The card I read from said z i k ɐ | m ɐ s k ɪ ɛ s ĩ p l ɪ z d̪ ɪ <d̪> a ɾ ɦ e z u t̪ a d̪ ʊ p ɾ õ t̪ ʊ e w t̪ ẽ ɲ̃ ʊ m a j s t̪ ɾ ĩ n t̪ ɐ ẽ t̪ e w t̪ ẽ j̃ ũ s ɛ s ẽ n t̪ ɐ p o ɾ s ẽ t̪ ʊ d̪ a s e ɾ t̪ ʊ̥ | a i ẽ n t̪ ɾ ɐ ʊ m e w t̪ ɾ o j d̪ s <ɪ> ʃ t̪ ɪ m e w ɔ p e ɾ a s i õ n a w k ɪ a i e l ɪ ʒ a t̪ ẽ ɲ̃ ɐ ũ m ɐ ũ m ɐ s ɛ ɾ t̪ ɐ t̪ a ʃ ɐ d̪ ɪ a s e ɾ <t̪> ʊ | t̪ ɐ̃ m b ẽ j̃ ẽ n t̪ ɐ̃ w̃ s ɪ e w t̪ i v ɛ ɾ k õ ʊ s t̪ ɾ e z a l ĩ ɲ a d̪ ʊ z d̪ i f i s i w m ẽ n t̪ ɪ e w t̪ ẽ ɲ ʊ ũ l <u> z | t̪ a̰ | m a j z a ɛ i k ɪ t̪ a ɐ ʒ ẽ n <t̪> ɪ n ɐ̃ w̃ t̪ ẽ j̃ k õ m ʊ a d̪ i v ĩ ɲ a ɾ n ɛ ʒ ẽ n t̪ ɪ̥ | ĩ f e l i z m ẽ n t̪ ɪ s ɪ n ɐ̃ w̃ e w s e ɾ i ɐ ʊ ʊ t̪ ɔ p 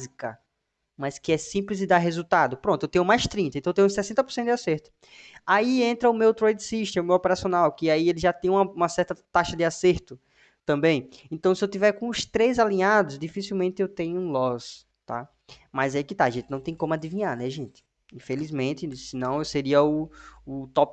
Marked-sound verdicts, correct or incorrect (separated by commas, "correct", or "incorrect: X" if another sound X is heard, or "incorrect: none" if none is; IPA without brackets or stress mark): correct, incorrect: i, correct, incorrect: ɔ, correct